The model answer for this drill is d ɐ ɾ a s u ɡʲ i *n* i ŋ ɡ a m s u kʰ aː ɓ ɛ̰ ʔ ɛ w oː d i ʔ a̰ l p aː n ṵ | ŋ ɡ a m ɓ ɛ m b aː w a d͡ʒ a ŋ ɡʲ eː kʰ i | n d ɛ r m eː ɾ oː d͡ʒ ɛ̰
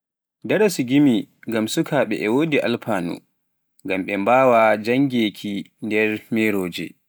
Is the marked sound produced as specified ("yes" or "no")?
no